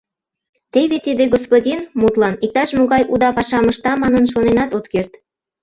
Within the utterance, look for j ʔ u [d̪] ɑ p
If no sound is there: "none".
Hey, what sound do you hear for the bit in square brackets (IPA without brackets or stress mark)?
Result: d̪